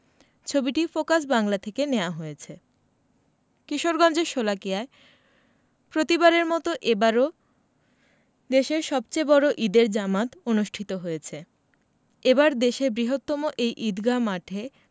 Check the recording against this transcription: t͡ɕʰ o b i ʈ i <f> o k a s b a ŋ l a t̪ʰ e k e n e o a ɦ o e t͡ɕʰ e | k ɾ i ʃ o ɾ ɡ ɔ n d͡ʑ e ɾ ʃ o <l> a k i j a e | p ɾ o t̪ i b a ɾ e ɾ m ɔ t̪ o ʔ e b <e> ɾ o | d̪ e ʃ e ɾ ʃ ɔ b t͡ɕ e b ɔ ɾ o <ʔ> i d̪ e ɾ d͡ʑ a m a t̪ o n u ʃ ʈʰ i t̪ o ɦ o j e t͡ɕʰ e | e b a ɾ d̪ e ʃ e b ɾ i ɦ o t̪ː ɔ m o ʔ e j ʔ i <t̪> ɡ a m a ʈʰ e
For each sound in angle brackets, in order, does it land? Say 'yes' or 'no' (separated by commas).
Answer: yes, yes, no, yes, no